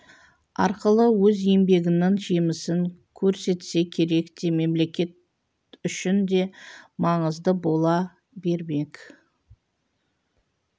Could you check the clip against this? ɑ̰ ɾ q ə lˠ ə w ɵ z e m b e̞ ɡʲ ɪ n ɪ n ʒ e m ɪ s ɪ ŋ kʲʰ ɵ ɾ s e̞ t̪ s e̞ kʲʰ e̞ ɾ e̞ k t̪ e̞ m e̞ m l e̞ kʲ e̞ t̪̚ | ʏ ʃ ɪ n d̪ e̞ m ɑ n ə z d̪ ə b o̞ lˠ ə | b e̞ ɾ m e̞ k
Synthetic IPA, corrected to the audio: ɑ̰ ɾ q ə lˠ ə w ɵ z e m b e̞ ɡʲ ɪ n ɪ ŋ ʒ e m ɪ s ɪ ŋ kʲʰ ɵ ɾ s e̞ t̪ s e̞ kʲʰ e̞ ɾ e̞ k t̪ e̞ m e̞ m l e̞ kʲ e̞ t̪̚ | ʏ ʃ ɪ n d̪ e̞ m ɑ ɴ ə z d̪ ə b o̞ lˠ ɑ | b e̞ ɾ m e̞ k